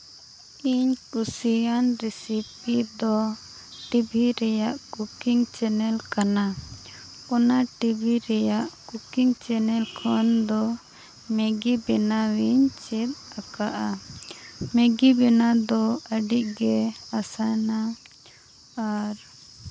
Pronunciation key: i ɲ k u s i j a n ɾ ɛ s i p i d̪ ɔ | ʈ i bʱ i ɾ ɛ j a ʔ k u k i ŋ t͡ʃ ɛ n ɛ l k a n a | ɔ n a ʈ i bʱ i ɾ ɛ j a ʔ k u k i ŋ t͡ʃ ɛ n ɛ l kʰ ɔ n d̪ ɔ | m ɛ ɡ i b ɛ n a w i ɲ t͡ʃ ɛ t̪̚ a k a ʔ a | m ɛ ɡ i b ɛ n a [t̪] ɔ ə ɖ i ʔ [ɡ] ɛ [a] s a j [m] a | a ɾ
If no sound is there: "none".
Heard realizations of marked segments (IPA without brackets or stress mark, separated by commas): d̪, ɡ, a, n